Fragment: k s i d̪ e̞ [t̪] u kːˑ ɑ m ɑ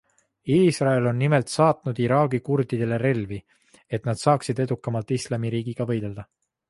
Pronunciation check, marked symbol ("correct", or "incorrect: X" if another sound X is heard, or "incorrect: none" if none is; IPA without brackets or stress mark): incorrect: d̪